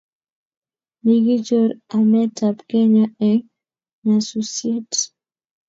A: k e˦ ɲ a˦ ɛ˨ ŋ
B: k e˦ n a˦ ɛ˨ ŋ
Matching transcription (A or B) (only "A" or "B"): A